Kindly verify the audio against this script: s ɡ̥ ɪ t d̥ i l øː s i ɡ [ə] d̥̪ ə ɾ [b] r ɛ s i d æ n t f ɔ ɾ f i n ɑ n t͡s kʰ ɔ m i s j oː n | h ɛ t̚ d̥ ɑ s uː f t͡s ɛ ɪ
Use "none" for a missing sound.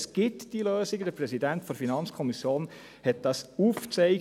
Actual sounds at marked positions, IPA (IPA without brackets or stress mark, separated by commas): ə, p